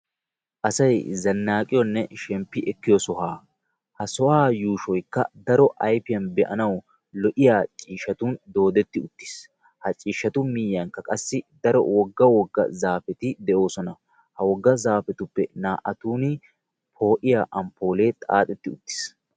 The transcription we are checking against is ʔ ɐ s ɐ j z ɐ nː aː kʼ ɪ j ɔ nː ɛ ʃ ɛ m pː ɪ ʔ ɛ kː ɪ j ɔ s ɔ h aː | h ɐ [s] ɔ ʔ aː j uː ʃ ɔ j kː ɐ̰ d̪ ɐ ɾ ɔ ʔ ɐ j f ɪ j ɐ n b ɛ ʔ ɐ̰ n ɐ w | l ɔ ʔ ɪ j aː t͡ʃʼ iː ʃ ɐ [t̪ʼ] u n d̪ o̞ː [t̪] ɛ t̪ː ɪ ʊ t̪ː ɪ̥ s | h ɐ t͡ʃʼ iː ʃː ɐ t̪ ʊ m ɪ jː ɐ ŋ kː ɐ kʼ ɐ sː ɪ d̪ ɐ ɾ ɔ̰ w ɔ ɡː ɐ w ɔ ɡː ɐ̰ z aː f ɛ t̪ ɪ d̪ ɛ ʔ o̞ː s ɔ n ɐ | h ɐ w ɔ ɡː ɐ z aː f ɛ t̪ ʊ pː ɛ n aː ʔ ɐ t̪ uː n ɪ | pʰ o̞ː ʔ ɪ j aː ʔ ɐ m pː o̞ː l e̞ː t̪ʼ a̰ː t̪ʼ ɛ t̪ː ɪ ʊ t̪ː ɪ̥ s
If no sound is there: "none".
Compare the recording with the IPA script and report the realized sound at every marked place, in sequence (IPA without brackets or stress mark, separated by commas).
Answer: s, t̪, d̪